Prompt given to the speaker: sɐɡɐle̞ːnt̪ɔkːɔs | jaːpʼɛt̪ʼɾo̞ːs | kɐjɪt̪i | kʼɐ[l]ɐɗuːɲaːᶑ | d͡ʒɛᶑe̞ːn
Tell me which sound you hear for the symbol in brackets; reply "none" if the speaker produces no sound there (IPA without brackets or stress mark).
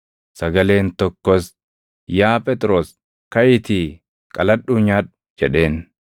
l